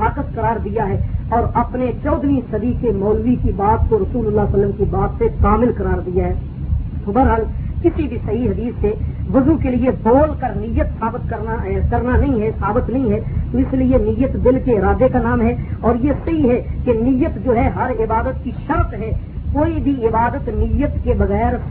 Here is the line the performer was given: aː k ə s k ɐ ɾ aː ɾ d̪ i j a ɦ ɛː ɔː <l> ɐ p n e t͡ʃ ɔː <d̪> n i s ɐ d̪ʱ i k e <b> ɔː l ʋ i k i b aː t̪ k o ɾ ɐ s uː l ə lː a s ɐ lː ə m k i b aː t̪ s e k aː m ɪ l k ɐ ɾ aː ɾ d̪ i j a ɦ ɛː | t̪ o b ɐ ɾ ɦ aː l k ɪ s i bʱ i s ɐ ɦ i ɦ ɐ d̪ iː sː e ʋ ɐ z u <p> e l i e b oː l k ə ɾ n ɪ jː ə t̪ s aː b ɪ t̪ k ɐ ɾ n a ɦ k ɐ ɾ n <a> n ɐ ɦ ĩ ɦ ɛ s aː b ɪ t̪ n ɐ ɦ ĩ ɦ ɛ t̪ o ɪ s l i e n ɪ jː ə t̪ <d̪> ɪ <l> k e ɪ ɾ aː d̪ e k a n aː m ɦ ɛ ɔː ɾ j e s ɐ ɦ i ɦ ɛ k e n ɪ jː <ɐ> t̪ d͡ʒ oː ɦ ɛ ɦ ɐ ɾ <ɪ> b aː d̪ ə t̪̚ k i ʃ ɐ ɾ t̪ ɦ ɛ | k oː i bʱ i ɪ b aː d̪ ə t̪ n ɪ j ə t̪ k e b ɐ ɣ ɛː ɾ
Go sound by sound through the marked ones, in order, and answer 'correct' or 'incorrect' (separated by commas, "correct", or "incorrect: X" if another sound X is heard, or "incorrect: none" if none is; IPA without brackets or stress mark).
incorrect: ɾ, correct, incorrect: m, incorrect: k, correct, correct, correct, incorrect: ə, correct